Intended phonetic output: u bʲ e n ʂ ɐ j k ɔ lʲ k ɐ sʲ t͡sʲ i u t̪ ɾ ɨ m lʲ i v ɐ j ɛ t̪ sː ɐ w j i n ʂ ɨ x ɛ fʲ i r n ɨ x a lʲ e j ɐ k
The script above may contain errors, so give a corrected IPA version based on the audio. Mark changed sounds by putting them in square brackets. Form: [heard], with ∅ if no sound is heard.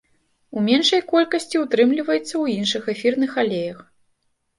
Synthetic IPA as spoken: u [mʲ] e n ʂ ɐ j k ɔ lʲ k ɐ sʲ t͡sʲ i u t̪ ɾ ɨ m lʲ i v ɐ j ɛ t̪ sː ɐ w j i n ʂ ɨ x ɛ fʲ i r n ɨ x a lʲ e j ɐ [x]